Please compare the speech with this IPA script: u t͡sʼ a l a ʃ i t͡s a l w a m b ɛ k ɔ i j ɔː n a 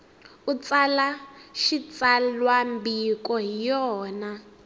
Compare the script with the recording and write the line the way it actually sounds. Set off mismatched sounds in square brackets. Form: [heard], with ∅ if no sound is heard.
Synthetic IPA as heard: u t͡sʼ a l a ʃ i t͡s a l w a m b [i] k ɔ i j ɔː n a